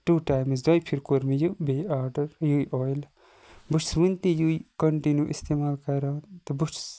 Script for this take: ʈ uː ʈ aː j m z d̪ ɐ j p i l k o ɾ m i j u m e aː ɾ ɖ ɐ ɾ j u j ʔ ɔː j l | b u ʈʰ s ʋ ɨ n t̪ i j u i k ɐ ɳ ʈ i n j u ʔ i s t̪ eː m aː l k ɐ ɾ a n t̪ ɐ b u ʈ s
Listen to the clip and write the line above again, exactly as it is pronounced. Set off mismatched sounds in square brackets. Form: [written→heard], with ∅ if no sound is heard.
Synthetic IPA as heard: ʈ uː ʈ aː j m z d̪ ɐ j [p→pʰ] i [l→ɾ] k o ɾ m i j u [m→b] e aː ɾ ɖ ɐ ɾ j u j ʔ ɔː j l | b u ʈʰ s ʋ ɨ n t̪ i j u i k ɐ ɳ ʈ i n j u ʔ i s t̪ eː m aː l k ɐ ɾ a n t̪ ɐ b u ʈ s